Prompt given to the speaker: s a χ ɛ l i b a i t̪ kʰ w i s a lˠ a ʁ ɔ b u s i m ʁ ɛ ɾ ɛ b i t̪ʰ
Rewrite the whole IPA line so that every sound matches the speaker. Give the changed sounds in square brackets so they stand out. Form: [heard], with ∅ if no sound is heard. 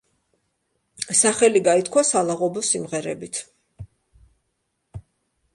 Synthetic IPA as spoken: s a χ ɛ l i [ɡ] a i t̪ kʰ w [a] s a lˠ a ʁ ɔ b [ɔ] s i m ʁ ɛ ɾ ɛ b i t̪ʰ